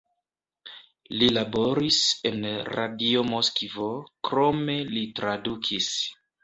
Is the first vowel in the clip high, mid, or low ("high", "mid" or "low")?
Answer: high